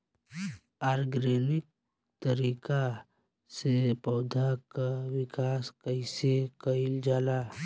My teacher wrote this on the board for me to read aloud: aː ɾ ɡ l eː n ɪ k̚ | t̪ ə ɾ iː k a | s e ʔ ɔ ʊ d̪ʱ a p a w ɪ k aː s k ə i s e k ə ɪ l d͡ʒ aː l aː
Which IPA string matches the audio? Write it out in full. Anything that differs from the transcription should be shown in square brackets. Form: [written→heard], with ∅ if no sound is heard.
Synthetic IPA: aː ɾ ɡ [l→ɾ] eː n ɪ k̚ | t̪ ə ɾ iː k a | s e [ʔ→p] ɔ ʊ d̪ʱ a [p→k] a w ɪ k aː s k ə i s e k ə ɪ l d͡ʒ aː l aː